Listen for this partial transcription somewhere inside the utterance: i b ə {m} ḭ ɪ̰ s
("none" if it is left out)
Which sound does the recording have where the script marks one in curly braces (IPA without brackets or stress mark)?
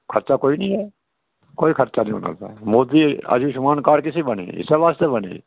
n